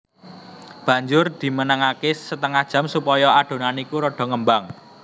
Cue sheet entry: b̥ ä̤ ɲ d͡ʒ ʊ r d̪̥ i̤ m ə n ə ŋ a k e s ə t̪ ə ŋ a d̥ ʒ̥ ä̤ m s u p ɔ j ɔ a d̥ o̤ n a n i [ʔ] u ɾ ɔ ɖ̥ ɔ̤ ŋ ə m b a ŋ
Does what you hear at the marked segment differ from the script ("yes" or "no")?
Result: yes